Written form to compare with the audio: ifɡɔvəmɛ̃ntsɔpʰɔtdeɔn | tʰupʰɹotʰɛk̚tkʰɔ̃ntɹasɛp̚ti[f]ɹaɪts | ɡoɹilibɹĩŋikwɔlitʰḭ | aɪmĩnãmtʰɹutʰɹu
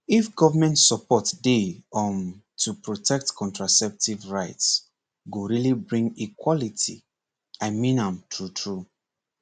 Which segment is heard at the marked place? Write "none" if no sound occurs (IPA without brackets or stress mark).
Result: v